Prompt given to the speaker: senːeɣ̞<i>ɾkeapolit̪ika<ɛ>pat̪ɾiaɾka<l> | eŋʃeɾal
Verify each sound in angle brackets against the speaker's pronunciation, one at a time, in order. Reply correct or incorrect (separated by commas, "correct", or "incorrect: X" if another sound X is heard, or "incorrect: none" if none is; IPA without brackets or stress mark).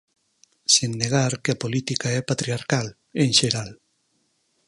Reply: incorrect: a, correct, correct